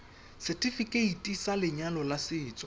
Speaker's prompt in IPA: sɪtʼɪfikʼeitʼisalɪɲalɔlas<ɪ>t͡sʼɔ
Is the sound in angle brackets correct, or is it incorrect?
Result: incorrect